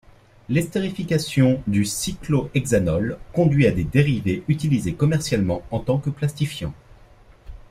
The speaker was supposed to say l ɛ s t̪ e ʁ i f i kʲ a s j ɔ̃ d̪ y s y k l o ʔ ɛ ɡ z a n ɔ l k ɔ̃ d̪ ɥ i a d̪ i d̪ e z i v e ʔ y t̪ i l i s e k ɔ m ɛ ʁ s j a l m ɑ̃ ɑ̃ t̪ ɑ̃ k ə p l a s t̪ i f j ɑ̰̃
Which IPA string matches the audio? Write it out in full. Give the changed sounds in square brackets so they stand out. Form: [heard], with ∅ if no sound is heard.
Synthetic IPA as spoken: l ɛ s t̪ e ʁ i f i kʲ a s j ɔ̃ d̪ y s [i] k l o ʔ ɛ ɡ z a n ɔ l k ɔ̃ d̪ ɥ i a d̪ [e] d̪ e [ʁ] i v e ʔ y t̪ i l i [z] e k ɔ m ɛ ʁ s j a l m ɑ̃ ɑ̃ t̪ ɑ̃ k ə p l a s t̪ i f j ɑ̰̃